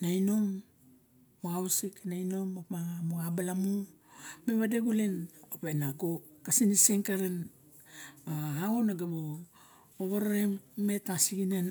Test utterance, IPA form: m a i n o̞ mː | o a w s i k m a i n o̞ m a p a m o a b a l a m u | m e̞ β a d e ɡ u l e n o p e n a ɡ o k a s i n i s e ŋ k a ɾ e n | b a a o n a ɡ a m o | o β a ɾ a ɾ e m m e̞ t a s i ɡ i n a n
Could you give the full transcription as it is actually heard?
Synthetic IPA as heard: n a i n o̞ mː | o a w s i k n a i n o̞ m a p a m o a b a l a m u | m e̞ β a d e ɡ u l e n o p e n a ɡ o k a s i n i s e ŋ k a ɾ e n | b a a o n a ɡ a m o | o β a ɾ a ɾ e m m e̞ t a s i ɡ i n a n

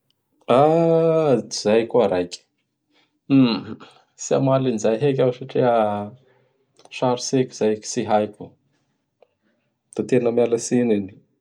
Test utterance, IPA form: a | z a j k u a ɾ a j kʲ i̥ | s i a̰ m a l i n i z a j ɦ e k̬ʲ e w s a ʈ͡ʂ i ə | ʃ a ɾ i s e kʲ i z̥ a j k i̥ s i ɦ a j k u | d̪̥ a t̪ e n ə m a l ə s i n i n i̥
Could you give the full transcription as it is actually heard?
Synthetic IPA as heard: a | z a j k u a ɾ a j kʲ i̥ | s i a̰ m a l i n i z a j ɦ e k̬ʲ a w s a ʈ͡ʂ i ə | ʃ a ɾ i s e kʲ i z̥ a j k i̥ s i ɦ a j k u | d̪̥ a t̪ e n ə m a l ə s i n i n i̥

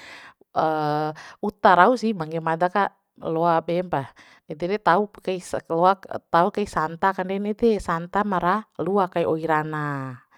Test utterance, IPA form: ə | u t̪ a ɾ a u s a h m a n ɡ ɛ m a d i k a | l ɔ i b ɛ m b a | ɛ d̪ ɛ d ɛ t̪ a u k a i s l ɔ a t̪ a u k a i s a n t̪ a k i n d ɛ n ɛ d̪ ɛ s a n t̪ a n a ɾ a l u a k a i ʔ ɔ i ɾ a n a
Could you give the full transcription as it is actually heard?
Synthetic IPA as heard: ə | u t̪ a ɾ a u s i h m a ŋ ɡ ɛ m a d a k a | l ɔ a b ɛ m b a | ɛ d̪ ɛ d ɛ t̪ a u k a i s l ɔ a t̪ a u k a i s a n t̪ a k a n d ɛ n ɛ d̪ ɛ s a n t̪ a m a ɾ a l u a k a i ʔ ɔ i ɾ a n a

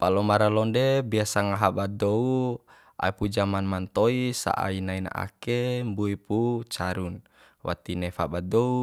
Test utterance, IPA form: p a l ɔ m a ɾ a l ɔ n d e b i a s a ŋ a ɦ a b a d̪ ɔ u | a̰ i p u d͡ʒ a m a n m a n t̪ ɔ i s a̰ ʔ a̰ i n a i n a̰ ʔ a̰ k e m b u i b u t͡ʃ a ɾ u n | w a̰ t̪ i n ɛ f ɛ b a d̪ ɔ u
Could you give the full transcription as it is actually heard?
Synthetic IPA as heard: p a l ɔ m a ɾ a l ɔ n d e b i a s a ŋ a ɦ a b a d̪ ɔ u | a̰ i p u d͡ʒ a m a n m a n t̪ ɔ i s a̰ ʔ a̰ i n a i n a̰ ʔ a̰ k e m b u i p u t͡ʃ a ɾ u n | w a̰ t̪ i n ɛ f a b a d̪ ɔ u

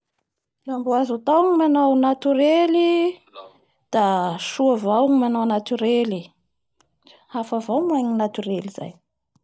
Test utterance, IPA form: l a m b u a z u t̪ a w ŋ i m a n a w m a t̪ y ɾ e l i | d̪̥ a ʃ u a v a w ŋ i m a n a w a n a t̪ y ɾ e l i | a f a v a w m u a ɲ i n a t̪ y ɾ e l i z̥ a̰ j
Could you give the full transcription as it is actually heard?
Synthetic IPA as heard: l a m b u a z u t̪ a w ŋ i m a n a w n a t̪ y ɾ e l i | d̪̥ a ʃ u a v a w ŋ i m a n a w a n a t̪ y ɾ e l i | a f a v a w m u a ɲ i n a t̪ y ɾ e l i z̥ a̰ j

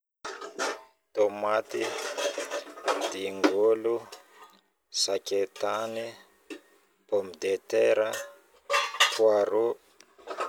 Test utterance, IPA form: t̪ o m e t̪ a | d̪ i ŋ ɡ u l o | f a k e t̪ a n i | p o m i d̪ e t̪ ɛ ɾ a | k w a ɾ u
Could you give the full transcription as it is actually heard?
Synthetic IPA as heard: t̪ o m a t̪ i | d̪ i ŋ ɡ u l u | s a k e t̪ a n i | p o m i d̪ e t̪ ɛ ɾ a | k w a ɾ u

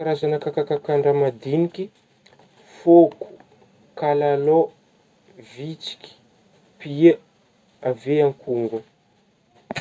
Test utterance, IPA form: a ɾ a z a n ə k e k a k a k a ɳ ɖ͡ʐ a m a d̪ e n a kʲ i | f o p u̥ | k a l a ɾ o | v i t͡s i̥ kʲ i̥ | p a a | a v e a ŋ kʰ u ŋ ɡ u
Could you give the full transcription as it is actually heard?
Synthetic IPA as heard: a ɾ a z a n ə k a k a k a k a ɳ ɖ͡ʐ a m a d̪ i n i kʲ i | f o k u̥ | k a l a l o | v i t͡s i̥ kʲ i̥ | p i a | a v e a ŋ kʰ u ŋ ɡ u

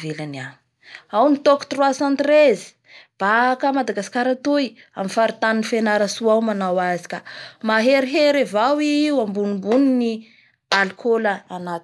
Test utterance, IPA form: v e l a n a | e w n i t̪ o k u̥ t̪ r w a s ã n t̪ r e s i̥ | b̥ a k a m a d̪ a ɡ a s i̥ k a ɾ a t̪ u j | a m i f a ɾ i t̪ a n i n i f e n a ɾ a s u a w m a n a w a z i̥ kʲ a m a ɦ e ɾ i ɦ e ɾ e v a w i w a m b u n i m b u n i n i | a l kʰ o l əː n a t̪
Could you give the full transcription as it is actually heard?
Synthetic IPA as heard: v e l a n a | a w n i t̪ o k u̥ t̪ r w a s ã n t̪ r e z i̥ | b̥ a k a m a d̪ a ɡ a s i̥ k a ɾ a t̪ u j | a m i f a ɾ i t̪ a n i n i f e n a ɾ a s u a w m a n a w a z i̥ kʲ a m a ɦ e ɾ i ɦ e ɾ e v a w i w a m b u n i m b u n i n i | a l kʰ o l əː n a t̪

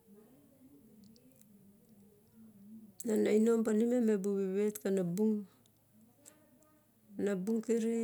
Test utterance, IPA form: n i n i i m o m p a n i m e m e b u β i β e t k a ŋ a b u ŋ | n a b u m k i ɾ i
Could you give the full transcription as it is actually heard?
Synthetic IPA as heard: n a n a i n o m p a n i m e m e b u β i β e t k a n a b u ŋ | n a b u ŋ k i ɾ i

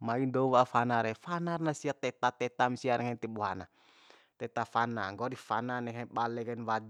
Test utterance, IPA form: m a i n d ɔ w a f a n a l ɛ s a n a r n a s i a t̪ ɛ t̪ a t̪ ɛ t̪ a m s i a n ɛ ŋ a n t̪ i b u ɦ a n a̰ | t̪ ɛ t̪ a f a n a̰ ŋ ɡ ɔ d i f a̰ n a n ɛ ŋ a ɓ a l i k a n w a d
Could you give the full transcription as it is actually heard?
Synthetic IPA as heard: m a i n d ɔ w a f a n a ɾ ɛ f a n a r n a s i a t̪ ɛ t̪ a t̪ ɛ t̪ a m s i a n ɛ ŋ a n t̪ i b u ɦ a n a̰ | t̪ ɛ t̪ a f a n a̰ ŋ ɡ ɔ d i f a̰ n a n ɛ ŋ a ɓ a l ɛ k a n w a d

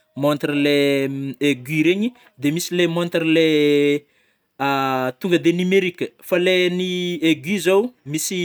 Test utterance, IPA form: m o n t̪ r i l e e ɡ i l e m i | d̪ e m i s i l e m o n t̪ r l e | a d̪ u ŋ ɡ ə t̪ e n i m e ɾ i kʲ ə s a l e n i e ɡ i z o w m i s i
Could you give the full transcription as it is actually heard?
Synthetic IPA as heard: m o n t̪ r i l e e ɡ i ɾ e ɲ i | d̪ e m i s i l e m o n t̪ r l e | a t̪ u ŋ ɡ ə d̪ e n i m e ɾ i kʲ ə f a l e n i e ɡ i z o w m i s i

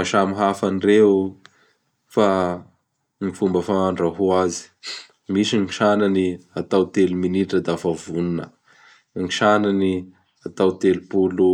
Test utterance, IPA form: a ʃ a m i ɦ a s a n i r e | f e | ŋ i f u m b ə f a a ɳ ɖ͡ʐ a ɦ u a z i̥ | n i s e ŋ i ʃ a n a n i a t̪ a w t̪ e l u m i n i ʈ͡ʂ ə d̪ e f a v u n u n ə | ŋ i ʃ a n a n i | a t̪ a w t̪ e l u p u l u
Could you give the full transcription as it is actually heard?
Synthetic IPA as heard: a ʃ a m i ɦ a f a n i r e | f a | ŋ i f u m b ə f a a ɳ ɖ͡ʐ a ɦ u a z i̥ | m i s i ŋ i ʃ a n a n i a t̪ a w t̪ e l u m i n i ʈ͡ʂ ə d̪ a f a v u n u n ə | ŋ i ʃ a n a n i | a t̪ a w t̪ e l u p u l u

